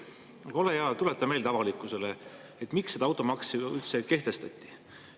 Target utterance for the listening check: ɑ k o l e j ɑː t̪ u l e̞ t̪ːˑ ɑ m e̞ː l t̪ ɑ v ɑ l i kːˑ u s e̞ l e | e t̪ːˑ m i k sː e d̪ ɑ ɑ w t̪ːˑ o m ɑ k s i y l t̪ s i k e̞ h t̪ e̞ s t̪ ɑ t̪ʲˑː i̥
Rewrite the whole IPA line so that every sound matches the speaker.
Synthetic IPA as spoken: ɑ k o l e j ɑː t̪ u l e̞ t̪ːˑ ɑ m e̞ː l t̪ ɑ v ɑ l i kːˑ u s e̞ l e | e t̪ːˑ m i k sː e d̪ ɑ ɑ w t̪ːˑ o m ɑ k s i y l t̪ s e k e̞ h t̪ e̞ s t̪ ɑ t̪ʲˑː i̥